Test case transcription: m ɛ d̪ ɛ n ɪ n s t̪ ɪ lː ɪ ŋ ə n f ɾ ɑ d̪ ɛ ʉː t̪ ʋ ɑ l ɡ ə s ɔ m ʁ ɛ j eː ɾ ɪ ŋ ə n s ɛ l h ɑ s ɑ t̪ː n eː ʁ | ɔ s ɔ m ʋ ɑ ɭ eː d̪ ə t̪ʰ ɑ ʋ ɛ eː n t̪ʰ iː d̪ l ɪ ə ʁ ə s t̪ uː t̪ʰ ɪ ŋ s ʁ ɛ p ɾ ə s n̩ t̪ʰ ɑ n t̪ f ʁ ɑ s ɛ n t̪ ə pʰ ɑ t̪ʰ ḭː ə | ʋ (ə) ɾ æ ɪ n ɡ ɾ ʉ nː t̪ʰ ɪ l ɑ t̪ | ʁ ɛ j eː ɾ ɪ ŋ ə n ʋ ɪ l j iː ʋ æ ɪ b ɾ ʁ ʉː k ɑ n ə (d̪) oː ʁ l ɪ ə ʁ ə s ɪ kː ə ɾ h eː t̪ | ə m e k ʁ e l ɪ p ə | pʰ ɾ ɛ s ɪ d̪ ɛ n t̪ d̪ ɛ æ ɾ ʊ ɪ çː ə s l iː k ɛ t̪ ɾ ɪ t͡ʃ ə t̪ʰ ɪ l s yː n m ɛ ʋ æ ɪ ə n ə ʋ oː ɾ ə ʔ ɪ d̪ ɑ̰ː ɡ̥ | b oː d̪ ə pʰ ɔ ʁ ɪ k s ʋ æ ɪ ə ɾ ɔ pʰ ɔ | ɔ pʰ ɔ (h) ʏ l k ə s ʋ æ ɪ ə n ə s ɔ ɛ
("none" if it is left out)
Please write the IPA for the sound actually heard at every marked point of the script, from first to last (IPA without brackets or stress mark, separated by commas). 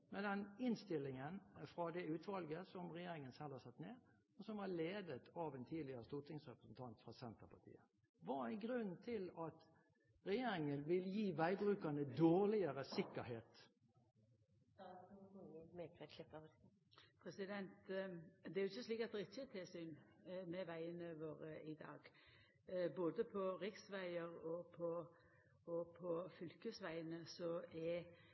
ɑ, d̪, f